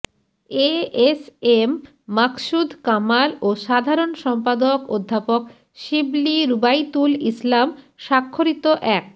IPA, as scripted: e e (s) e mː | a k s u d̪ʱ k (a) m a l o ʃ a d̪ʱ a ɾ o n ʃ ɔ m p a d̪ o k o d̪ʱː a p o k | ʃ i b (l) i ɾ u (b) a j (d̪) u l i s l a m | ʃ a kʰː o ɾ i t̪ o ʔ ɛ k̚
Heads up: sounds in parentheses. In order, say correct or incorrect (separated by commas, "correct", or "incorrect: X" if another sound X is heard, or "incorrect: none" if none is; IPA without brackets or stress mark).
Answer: correct, correct, correct, correct, incorrect: t̪